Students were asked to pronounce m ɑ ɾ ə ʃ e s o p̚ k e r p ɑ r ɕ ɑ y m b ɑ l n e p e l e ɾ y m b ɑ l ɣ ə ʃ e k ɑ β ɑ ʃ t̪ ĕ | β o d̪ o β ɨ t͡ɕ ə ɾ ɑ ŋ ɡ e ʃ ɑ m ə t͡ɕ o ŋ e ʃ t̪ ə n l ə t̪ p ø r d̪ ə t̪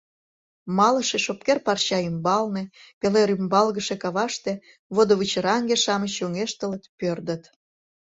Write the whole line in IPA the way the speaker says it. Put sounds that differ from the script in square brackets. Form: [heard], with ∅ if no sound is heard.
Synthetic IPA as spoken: m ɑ [l] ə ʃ e [ʃ] o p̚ k e r p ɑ r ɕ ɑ y m b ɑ l n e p e l e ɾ y m b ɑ l ɣ ə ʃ e k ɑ β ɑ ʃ t̪ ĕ | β o d̪ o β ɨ t͡ɕ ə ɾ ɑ ŋ ɡ e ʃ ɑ m ə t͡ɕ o ŋ e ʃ t̪ ə [∅] l ə t̪ p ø r d̪ ə t̪

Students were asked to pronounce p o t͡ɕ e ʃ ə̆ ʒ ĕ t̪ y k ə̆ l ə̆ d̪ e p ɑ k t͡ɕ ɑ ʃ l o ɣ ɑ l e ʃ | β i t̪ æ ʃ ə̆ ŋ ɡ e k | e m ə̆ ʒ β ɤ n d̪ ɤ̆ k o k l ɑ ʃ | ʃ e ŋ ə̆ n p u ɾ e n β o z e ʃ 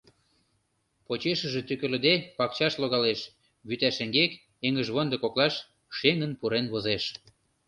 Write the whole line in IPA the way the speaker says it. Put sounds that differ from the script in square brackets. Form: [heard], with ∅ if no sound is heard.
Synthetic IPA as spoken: p o t͡ɕ e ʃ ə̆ ʒ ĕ t̪ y k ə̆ l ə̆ d̪ e p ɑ k t͡ɕ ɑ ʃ l o ɣ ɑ l e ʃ | β [y] t̪ æ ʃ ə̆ ŋ ɡ e k | e [ŋ] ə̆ ʒ β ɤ n d̪ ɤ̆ k o k l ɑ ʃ | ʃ e ŋ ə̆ n p u ɾ e n β o z e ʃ

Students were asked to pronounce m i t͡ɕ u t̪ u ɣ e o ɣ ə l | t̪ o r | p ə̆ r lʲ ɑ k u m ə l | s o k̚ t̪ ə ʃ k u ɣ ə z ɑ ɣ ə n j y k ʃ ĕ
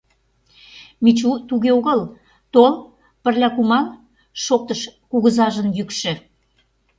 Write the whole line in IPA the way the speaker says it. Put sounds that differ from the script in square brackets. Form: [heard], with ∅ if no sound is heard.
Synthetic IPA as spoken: m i t͡ɕ u t̪ u ɣ e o ɣ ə l | t̪ o [l] | p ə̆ r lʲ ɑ k u m [ɑ] l | [ʃ] o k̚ t̪ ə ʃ k u ɣ ə z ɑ [ʒ] ə n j y k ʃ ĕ

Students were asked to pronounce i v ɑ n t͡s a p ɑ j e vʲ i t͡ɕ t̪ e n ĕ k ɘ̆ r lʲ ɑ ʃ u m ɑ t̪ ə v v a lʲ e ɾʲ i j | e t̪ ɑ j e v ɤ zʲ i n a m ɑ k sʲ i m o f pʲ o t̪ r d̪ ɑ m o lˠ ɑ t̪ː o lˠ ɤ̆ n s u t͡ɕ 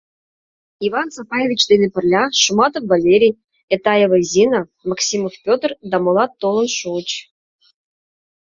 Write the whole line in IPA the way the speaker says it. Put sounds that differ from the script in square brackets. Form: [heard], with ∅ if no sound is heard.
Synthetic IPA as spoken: i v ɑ n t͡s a p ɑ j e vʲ i t͡ɕ [d̪] e n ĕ [p] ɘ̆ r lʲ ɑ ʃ u m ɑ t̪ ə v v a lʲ e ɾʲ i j | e t̪ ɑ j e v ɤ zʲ i n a m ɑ k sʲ i m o f pʲ o t̪ r d̪ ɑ m o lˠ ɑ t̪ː o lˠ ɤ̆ n [ʃ] u t͡ɕ

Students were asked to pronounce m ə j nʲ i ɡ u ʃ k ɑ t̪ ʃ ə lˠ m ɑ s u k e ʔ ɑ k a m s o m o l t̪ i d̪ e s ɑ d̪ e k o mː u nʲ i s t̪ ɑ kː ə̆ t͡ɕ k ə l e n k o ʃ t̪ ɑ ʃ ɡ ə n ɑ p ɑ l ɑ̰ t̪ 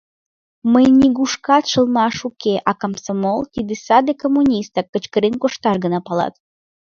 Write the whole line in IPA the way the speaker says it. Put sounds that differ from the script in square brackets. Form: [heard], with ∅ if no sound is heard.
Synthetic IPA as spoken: m ə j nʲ i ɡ u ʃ k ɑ t̪ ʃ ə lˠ m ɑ [ʃ] u k e ʔ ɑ k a m s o m o l t̪ i d̪ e s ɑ d̪ e k o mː u nʲ i s t̪ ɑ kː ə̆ t͡ɕ k ə [ɾ] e n k o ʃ t̪ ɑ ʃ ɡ ə n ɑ p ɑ l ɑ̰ t̪

